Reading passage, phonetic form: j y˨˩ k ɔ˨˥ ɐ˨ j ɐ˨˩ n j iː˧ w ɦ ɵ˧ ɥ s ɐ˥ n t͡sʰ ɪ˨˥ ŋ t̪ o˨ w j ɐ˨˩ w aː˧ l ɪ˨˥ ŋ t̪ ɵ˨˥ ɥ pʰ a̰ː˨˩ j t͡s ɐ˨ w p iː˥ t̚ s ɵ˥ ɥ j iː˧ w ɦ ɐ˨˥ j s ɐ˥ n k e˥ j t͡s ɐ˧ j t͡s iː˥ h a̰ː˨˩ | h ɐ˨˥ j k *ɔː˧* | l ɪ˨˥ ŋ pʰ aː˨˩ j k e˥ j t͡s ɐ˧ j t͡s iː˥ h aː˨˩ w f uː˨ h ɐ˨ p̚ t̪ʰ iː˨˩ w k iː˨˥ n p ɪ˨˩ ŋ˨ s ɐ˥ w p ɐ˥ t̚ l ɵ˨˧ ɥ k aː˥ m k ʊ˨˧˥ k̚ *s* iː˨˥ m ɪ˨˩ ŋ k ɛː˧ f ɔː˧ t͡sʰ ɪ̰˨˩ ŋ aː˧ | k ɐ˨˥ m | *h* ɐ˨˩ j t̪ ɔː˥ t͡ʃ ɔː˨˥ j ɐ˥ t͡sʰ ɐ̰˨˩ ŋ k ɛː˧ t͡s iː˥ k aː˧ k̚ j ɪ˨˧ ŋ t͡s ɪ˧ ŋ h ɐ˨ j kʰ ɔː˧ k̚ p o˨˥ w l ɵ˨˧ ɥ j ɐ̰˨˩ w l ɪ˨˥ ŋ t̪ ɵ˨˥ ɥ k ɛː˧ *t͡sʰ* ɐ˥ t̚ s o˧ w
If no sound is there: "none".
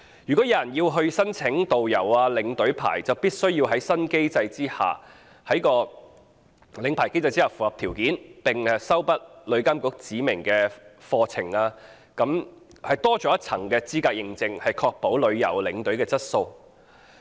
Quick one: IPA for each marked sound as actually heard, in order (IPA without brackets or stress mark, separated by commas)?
ɔː˧, t͡s, h, t͡s